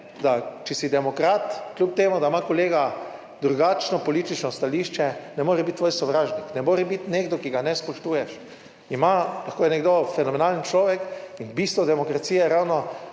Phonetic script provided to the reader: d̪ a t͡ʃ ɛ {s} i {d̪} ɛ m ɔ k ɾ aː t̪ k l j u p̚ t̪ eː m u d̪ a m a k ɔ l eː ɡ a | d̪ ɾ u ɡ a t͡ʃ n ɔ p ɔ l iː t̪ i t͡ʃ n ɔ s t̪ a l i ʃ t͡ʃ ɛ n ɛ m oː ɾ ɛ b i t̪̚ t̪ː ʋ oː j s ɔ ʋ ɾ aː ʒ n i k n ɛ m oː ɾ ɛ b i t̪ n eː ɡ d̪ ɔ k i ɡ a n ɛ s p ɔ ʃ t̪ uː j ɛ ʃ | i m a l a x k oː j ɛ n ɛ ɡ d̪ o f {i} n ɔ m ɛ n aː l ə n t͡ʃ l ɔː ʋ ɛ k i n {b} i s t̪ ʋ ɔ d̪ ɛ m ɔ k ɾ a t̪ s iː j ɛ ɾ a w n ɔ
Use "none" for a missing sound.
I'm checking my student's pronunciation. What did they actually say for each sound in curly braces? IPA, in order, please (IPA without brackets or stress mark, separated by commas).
s, d̪, ɛ, b